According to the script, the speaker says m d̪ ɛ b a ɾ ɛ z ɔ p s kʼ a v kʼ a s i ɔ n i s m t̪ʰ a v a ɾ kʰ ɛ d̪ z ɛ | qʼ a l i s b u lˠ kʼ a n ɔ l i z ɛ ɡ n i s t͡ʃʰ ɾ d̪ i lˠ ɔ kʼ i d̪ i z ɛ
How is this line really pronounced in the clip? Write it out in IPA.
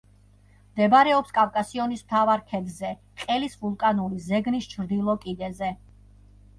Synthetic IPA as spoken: m d̪ ɛ b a ɾ ɛ ɔ p s kʼ a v kʼ a s i ɔ n i s m t̪ʰ a v a ɾ kʰ ɛ d̪ z ɛ | qʼ ɛ l i s v u lˠ kʼ a n u l i z ɛ ɡ n i s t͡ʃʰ ɾ d̪ i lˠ ɔ kʼ i d̪ ɛ z ɛ